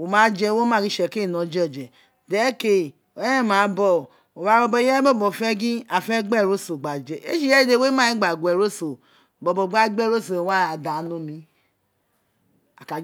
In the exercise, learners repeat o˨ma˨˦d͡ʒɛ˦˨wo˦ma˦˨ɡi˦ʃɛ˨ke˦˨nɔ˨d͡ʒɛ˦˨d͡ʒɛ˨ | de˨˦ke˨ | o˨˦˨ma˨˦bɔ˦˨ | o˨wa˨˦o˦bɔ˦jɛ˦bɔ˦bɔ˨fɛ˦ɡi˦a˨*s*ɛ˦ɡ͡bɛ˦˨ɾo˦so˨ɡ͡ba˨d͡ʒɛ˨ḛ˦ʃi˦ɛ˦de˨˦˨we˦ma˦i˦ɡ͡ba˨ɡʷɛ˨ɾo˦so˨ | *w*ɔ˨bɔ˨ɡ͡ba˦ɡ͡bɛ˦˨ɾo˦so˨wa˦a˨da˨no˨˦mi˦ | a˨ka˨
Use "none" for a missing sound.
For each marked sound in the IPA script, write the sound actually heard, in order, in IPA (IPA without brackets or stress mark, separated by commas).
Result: f, b